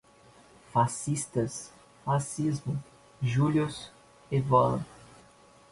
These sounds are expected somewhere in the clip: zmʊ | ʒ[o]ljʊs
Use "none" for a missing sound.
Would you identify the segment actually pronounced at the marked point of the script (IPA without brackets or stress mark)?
u